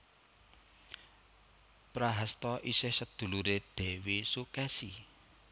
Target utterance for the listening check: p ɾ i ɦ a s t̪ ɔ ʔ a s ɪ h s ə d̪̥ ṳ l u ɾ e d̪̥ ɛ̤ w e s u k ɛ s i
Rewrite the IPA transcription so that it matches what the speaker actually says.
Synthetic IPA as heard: p ɾ a ɦ a s t̪ ɔ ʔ i s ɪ h s ə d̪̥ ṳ l u ɾ e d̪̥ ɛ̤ w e s u k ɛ s i